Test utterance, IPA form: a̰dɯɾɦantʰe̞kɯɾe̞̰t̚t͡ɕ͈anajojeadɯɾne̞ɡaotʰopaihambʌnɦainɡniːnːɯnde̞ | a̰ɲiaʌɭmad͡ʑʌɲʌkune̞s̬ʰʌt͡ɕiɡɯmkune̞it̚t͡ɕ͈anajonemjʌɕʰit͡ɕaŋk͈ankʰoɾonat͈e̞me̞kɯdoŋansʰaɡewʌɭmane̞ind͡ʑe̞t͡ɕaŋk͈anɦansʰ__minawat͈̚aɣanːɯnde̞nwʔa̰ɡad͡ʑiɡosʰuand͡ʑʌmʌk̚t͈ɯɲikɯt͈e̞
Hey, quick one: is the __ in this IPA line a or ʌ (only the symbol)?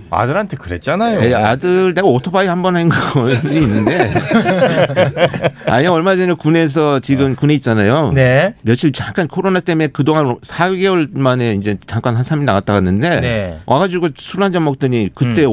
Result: a